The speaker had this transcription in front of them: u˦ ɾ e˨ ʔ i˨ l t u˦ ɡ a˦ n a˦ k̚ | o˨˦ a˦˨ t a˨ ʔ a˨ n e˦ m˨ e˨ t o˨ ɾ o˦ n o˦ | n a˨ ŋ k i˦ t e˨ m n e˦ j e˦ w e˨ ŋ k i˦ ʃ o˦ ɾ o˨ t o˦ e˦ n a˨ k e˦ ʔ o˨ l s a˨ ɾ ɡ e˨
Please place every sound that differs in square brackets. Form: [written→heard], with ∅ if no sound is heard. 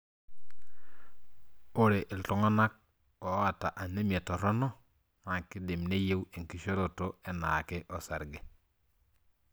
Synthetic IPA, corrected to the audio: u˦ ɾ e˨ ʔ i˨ l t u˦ [ɡ→ŋ] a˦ n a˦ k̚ | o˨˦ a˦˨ t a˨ ʔ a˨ n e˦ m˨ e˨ t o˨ ɾ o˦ n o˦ | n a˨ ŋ k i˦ [t→d] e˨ m n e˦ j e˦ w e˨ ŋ k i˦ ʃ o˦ ɾ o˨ t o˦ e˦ n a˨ k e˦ ʔ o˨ [l→∅] s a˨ ɾ ɡ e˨